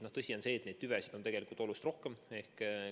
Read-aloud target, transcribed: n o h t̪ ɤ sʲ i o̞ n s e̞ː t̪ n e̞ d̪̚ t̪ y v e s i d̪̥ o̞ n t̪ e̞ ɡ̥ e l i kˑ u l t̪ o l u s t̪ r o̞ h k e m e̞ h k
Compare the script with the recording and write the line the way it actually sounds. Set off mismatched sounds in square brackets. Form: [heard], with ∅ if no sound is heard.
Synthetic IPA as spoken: n o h t̪ ɤ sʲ i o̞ n s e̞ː t̪ n e̞ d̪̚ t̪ y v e s i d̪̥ o̞ n t̪ e̞ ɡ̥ e l i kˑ u l t̪ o l u s t̪ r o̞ h k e m e̞ h k

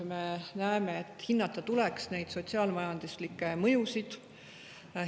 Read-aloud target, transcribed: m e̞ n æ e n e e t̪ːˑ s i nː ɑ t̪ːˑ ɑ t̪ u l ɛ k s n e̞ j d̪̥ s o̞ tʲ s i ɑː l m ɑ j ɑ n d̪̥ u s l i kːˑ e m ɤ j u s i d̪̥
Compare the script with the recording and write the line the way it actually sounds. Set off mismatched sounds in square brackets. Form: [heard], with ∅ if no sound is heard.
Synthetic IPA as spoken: m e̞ n æ e [m] e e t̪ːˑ [h] i nː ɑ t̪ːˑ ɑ t̪ u l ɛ k s n e̞ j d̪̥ s o̞ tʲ s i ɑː l m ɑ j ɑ n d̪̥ u s l i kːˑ e m ɤ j u s i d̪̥

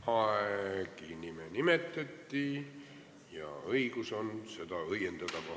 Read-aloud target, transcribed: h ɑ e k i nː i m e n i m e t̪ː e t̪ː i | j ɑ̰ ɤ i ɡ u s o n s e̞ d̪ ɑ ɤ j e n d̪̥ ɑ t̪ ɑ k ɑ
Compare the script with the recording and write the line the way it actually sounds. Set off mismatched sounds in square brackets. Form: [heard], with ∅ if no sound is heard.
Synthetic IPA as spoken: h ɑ e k i [n] i m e n i m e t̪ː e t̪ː i | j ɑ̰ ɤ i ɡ u s o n s e̞ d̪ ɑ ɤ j e n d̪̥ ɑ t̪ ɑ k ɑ

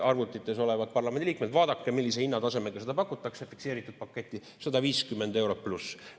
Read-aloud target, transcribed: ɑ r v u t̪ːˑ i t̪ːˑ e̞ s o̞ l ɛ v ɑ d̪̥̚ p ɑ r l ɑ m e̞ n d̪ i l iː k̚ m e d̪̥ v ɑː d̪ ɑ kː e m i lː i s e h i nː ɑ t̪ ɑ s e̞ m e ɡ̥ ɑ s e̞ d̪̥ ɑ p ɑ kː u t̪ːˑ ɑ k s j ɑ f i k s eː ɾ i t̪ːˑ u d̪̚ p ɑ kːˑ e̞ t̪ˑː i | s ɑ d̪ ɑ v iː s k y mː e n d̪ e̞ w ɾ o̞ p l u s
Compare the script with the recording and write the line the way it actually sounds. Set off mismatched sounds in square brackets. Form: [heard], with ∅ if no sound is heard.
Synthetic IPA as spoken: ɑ r v u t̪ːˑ i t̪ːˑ e̞ s o̞ l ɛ v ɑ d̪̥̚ p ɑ r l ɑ m e̞ n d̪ i l iː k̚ m e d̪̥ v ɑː d̪ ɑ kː e m i lː i s e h i nː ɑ t̪ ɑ s e̞ m e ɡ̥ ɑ s e̞ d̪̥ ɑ p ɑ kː u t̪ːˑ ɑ k s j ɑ f i k s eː ɾ i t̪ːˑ u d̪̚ p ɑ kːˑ e̞ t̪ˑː i | s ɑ d̪ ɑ v iː s k y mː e n d̪ e̞ w ɾ o̞ p l u s

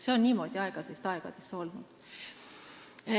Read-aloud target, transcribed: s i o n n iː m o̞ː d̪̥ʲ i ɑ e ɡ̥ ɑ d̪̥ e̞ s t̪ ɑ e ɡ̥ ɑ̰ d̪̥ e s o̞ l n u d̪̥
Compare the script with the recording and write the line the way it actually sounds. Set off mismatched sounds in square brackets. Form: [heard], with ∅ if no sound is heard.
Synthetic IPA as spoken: s [e] o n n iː m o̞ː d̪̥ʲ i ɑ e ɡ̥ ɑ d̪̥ e̞ s t̪ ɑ e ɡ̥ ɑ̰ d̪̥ e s o̞ l n u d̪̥

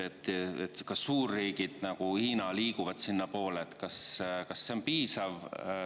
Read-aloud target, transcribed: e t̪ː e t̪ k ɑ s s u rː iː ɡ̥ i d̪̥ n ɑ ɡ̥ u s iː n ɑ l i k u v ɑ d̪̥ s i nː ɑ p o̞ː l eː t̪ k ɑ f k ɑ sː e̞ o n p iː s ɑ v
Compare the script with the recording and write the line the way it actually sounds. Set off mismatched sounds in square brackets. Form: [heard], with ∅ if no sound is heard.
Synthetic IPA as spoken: e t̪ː e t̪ k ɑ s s [uː] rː iː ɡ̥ i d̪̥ n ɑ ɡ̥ u [h] iː n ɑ l [iː] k u v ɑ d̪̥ s i nː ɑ p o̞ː l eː t̪ k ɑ [s] k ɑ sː e̞ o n p iː s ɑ v

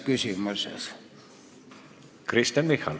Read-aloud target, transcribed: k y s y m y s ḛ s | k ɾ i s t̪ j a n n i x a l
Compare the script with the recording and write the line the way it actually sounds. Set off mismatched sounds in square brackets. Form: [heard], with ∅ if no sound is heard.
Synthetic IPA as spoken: k y s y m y s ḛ s | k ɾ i s t̪ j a n [m] i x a l

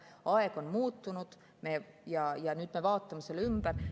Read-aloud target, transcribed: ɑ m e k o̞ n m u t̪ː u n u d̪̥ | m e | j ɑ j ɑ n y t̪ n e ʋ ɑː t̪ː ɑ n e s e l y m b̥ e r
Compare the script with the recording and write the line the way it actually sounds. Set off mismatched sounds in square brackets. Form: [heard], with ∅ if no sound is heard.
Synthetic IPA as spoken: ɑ [∅] e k o̞ n m [uː] t̪ː u n u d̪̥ | m e | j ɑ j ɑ n y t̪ [m] e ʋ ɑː t̪ː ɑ [m] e s e l y m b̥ [æ] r

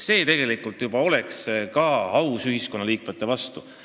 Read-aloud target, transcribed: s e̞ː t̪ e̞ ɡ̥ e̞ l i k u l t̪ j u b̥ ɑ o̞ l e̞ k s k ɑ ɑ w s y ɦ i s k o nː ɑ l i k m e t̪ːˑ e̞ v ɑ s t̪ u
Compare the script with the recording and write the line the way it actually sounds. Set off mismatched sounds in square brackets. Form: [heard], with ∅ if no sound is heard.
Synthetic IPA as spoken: s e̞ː t̪ e̞ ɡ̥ e̞ l i k u l t̪ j u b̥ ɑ o̞ l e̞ k s k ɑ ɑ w s y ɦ i s k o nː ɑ l [iː] k m e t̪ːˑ e̞ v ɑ s t̪ u

